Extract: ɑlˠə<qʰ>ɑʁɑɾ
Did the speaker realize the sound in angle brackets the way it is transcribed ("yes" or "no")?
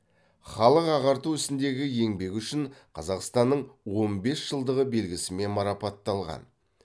no